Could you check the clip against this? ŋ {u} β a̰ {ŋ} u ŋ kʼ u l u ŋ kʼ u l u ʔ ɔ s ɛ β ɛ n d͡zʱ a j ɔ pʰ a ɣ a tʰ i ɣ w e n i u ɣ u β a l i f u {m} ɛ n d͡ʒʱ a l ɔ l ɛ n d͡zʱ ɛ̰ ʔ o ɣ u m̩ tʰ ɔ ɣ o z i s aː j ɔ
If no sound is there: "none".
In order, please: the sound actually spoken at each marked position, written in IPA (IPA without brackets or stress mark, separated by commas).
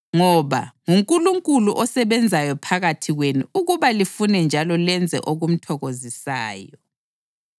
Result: ɔ, ŋ, n